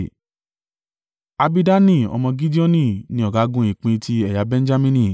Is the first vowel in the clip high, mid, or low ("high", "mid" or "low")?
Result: low